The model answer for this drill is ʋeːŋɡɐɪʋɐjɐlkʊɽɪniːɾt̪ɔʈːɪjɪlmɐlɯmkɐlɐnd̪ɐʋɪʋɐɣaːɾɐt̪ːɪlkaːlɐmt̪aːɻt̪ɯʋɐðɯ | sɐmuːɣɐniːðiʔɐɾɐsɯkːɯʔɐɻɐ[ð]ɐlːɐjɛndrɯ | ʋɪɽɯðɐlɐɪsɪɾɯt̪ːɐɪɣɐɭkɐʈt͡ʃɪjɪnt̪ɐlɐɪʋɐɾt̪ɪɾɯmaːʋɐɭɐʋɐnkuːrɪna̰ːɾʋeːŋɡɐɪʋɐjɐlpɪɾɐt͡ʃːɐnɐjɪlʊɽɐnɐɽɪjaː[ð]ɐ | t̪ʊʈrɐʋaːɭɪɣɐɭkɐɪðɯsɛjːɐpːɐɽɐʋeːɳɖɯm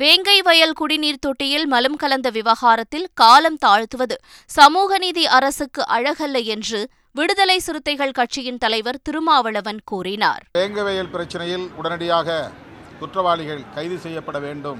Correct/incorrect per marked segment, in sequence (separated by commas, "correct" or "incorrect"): incorrect, incorrect